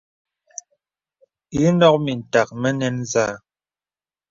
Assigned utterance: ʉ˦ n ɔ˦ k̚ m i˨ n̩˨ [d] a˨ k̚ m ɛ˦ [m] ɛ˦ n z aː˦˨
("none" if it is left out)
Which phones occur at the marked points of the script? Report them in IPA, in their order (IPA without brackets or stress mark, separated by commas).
t, n